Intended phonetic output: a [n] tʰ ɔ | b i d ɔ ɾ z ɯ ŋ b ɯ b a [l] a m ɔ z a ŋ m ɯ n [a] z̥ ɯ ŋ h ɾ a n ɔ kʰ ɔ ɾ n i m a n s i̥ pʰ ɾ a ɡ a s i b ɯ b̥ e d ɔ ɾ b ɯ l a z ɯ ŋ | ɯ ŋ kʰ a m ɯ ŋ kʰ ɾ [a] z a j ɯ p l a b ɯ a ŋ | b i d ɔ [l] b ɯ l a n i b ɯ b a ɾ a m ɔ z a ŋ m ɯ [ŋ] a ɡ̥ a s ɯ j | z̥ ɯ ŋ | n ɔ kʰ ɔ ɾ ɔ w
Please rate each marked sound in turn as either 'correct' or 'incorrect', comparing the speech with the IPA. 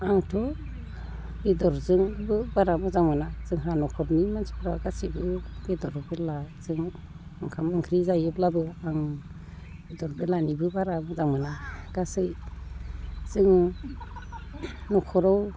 incorrect, incorrect, correct, incorrect, incorrect, incorrect

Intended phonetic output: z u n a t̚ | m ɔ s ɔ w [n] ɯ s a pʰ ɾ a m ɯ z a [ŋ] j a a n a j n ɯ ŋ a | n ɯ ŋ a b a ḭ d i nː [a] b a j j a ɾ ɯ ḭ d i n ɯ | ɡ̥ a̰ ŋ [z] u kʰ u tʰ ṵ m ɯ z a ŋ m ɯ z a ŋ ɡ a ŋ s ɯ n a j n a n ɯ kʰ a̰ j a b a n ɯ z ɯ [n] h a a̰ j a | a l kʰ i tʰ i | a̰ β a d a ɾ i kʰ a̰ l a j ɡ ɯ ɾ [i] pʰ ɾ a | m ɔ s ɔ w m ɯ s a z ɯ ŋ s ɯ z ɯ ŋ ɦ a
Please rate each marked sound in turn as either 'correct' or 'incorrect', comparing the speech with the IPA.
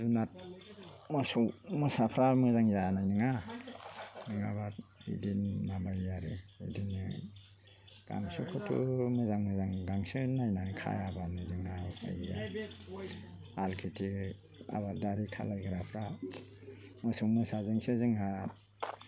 incorrect, correct, correct, incorrect, incorrect, incorrect

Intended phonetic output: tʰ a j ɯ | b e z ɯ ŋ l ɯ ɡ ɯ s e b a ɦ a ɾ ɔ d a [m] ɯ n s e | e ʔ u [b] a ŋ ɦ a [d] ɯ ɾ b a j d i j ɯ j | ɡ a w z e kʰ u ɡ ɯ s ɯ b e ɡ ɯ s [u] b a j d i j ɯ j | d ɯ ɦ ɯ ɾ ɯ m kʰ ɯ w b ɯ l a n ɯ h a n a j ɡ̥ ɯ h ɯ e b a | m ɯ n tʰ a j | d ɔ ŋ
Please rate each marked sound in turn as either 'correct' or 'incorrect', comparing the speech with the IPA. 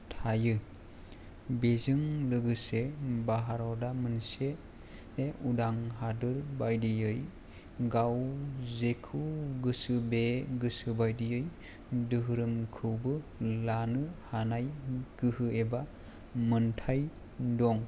correct, incorrect, correct, incorrect

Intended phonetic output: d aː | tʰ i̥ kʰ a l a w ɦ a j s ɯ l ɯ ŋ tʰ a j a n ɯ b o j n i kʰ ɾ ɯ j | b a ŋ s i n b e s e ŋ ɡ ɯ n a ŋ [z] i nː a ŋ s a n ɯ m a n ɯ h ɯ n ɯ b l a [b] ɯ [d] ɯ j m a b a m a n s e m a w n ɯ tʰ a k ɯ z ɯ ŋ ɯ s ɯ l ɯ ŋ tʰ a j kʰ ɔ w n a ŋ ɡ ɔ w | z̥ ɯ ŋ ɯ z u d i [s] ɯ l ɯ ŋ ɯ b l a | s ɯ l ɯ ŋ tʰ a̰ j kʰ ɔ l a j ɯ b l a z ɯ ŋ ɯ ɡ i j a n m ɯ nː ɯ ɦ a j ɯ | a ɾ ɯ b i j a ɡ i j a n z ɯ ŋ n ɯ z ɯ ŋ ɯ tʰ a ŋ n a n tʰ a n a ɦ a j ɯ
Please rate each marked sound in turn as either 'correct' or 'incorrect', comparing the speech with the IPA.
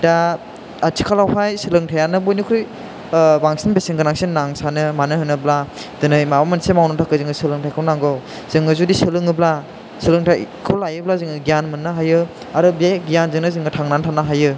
incorrect, incorrect, incorrect, correct

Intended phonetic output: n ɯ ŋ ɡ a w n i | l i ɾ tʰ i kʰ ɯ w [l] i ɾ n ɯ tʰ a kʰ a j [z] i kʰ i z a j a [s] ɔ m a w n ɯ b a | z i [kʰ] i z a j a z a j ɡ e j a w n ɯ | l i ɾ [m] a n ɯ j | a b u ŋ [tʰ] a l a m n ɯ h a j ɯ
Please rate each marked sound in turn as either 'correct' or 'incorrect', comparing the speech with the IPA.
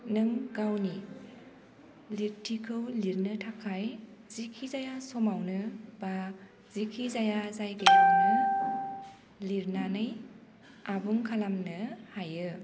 correct, correct, correct, correct, incorrect, incorrect

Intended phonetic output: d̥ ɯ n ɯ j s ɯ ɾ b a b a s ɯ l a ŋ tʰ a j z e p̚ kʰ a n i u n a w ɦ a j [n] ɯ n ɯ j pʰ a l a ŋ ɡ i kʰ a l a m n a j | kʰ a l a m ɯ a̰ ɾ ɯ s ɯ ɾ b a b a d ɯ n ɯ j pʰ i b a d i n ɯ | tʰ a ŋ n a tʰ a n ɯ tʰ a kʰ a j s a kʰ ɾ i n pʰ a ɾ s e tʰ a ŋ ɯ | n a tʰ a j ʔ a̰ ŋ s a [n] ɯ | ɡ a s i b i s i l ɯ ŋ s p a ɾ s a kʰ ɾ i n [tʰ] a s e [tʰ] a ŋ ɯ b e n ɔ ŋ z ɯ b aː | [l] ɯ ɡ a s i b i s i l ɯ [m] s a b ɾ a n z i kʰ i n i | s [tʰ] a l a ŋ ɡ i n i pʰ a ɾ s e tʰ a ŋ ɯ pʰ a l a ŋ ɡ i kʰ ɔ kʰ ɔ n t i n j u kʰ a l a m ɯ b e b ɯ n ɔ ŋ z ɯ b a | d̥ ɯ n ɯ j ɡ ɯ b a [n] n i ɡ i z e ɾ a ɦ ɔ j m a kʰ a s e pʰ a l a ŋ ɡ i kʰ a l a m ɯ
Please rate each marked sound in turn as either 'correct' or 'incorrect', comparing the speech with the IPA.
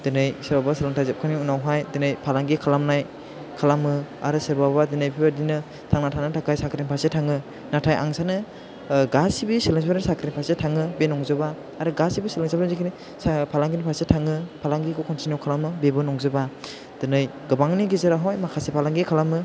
incorrect, correct, incorrect, correct, incorrect, incorrect, incorrect, incorrect

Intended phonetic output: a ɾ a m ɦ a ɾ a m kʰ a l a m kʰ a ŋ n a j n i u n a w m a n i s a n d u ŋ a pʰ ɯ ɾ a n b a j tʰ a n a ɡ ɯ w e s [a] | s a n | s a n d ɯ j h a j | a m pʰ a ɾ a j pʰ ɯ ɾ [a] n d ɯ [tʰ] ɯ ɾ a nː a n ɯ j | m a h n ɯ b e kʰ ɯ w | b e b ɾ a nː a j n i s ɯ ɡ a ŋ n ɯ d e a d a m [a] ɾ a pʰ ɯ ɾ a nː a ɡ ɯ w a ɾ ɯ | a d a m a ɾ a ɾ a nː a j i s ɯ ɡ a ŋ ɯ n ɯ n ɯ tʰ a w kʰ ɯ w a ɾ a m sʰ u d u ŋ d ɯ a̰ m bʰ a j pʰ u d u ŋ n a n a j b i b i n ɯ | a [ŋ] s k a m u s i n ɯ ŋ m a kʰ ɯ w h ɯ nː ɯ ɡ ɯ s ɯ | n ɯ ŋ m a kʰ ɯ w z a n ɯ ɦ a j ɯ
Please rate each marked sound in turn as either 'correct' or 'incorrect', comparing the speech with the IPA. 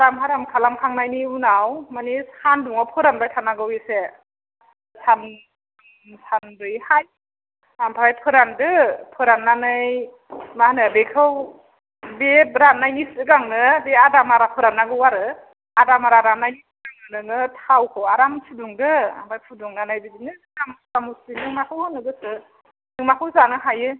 incorrect, correct, incorrect, correct, incorrect

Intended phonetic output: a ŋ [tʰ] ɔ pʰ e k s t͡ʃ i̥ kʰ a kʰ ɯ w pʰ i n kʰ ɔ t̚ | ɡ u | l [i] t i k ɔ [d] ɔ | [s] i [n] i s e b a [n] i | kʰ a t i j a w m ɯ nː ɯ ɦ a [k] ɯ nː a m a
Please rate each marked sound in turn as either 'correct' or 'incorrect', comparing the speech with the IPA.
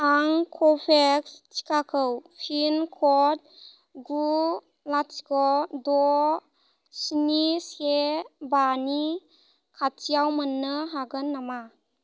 incorrect, incorrect, correct, correct, correct, correct, incorrect

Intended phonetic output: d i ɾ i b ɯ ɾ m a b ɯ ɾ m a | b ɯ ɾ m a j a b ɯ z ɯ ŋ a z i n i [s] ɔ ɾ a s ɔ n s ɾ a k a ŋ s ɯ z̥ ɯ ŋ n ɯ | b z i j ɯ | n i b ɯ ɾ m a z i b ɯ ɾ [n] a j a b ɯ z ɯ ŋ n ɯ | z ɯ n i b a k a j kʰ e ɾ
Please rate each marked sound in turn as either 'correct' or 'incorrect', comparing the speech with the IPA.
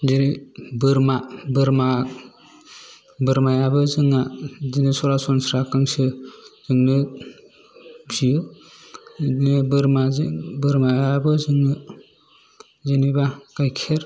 correct, incorrect

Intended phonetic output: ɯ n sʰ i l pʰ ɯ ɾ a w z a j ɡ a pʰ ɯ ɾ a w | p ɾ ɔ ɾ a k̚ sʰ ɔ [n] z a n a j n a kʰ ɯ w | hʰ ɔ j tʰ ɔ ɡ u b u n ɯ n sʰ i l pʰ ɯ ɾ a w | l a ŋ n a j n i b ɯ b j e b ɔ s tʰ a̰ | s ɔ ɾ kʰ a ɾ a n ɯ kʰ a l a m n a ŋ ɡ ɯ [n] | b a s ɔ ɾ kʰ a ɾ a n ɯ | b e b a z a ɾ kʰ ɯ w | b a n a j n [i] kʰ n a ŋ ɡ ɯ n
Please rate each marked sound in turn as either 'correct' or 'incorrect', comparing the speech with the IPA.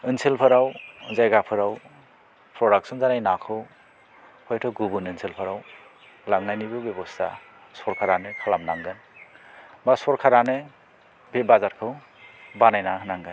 correct, correct, incorrect

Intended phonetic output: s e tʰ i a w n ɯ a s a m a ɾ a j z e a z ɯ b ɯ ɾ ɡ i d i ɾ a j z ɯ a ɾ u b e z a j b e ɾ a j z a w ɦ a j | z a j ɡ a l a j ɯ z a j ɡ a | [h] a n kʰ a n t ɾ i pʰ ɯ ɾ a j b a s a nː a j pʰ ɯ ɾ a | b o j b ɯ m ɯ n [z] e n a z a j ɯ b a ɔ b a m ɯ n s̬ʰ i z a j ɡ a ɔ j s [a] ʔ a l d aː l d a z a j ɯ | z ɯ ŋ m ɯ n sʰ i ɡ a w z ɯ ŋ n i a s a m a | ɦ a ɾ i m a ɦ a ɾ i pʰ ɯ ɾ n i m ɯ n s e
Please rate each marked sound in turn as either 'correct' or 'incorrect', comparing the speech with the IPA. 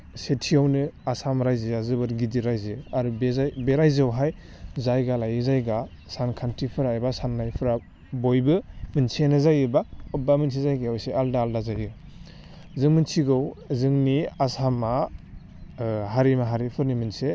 incorrect, incorrect, incorrect

